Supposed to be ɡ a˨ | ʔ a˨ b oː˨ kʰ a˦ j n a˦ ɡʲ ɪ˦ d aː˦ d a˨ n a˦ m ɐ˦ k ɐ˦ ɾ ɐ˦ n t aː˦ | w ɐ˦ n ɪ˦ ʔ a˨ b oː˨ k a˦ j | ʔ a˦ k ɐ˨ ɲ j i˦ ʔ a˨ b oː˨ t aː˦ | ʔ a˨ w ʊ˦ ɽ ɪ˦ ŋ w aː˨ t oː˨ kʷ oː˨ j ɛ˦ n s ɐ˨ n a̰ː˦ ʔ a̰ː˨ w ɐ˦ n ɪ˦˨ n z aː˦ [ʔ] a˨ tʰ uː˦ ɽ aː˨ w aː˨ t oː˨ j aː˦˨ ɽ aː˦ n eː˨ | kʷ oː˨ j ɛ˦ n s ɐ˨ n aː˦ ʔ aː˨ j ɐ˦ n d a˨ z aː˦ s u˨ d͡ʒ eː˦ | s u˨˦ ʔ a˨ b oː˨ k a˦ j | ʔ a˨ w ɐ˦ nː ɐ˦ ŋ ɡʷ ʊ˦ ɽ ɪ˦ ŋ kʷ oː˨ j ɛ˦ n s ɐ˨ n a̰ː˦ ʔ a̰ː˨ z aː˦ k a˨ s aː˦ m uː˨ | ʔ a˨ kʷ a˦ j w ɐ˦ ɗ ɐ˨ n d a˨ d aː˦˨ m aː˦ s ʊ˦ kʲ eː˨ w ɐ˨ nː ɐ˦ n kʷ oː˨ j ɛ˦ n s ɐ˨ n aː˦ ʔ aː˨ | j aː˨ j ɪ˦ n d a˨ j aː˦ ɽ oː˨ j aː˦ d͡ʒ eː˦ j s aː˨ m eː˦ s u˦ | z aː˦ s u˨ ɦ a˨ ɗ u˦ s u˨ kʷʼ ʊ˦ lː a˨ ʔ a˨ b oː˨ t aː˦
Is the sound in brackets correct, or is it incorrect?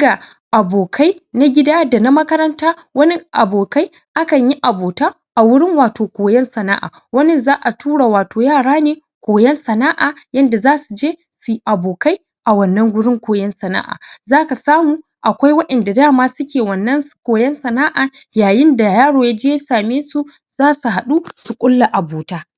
correct